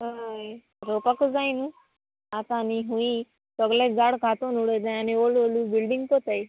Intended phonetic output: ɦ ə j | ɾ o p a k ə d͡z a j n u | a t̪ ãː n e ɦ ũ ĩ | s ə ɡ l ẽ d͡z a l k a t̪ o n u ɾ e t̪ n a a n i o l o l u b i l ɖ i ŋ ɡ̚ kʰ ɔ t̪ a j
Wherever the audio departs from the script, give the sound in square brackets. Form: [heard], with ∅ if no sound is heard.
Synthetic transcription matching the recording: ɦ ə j | ɾ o p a k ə d͡z a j n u | a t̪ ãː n [i] ɦ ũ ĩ | s ə ɡ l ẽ d͡z a [ɽ] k a t̪ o n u [ɽ] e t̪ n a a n i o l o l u b i l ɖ i ŋ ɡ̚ [k] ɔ t̪ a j